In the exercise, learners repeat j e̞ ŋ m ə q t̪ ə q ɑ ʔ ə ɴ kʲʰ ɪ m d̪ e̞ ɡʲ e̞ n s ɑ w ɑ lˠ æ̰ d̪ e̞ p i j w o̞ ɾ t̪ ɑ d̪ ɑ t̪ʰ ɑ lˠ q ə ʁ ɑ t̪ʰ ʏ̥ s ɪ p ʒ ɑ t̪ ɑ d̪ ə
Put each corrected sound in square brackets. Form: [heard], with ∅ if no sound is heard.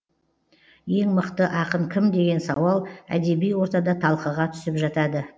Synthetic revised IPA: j e̞ ŋ m ə q t̪ ə [ʔ] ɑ [q] ə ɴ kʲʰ ɪ m d̪ e̞ ɡʲ e̞ n s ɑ w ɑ lˠ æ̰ d̪ e̞ [b] i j w o̞ ɾ t̪ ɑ d̪ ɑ t̪ʰ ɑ lˠ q ə ʁ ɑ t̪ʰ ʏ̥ s ɪ p ʒ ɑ t̪ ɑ d̪ ə